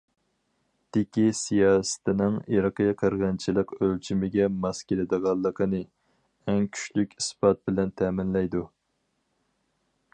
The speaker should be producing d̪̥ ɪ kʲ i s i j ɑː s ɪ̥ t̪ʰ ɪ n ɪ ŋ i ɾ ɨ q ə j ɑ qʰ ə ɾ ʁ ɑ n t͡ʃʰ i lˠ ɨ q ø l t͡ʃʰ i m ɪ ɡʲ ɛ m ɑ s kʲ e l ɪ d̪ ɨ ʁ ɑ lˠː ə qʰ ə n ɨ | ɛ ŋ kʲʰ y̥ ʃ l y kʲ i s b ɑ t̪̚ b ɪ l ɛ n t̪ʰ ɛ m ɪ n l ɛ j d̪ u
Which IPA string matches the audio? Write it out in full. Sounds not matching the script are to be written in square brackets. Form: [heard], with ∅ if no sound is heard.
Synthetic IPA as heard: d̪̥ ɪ kʲ i s i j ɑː s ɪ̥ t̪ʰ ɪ n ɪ ŋ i ɾ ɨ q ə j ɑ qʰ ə ɾ ʁ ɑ n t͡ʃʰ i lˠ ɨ q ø l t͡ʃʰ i m ɪ ɡʲ ɛ m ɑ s kʲ e l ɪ d̪ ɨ ʁ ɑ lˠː ə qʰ ə n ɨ | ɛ ŋ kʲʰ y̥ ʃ l y kʲ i s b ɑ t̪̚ b ɪ l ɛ n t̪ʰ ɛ m ɪ n l ɛ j d̪ u